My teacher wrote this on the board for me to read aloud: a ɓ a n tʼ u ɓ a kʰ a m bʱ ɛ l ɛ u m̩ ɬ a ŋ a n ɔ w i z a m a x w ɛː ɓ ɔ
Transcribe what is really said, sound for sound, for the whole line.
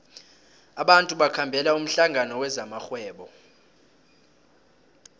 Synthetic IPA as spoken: a ɓ a n tʼ u ɓ a kʰ a m bʱ ɛ l a u m̩ ɬ a ŋ a n ɔ w ɛ z a m a x w ɛː ɓ ɔ